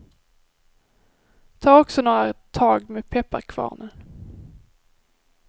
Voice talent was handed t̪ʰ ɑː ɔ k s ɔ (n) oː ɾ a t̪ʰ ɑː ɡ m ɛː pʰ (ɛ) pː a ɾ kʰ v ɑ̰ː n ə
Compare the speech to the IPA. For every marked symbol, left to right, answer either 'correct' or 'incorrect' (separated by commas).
correct, correct